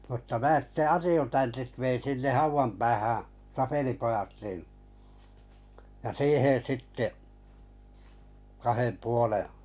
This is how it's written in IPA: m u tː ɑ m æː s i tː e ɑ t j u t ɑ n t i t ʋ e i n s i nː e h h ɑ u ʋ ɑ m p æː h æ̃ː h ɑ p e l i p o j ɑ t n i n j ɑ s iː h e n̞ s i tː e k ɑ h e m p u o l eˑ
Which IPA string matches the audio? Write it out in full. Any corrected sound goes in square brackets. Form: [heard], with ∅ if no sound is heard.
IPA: m u tː ɑ m æː s i tː e ɑ t j u t ɑ n t i t ʋ e i n s i nː e h h ɑ u ʋ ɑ m p æː h æ̃ː [s] ɑ p e l i p o j ɑ t n i n j ɑ s iː h e n̞ s i tː e k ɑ h e m p u o l eˑ